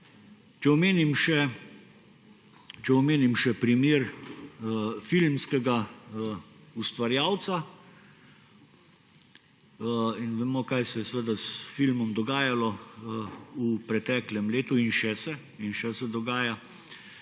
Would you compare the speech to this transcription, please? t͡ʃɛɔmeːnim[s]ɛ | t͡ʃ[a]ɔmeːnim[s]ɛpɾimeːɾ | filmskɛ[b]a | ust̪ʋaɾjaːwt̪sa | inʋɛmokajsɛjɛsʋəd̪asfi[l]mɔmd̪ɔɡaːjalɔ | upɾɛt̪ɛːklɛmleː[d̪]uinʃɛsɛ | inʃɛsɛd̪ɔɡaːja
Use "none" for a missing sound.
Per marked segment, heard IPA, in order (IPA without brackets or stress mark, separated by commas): ʃ, ɛ, ʃ, ɡ, l, t̪